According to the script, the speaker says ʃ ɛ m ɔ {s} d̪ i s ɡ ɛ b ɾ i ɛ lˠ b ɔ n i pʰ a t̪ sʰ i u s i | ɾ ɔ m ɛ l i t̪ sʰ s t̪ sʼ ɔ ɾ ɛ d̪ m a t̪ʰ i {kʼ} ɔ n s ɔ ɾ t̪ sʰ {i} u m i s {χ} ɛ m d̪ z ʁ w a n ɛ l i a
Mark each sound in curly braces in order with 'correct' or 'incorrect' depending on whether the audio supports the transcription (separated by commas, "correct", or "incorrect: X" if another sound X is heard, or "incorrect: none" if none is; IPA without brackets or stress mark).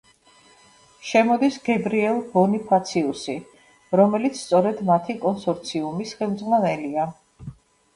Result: incorrect: none, correct, correct, correct